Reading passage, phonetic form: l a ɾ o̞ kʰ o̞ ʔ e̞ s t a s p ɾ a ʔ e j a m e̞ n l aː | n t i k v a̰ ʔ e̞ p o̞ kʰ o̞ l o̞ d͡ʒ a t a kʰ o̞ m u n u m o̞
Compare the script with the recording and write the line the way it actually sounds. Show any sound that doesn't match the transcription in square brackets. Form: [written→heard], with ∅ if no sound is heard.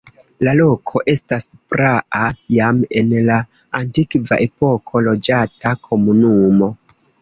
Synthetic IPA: l a [ɾ→l] o̞ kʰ o̞ ʔ e̞ s t a s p ɾ a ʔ [e→a] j a m e̞ n l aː | n t i k v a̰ ʔ e̞ p o̞ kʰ o̞ l o̞ d͡ʒ a t a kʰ o̞ m u n u m o̞